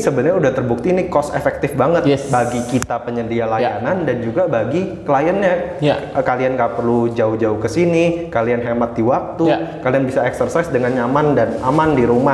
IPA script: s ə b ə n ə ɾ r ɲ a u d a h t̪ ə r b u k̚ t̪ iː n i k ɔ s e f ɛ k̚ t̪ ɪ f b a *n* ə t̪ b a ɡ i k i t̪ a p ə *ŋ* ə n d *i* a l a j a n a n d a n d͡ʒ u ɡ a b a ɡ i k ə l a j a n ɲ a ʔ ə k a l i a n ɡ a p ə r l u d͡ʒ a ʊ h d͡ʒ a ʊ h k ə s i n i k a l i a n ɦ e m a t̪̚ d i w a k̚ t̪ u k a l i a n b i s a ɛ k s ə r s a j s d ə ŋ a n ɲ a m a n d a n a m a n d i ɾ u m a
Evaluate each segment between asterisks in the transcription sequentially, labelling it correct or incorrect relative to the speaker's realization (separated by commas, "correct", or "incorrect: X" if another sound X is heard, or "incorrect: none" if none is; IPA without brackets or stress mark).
incorrect: ŋ, incorrect: ɲ, correct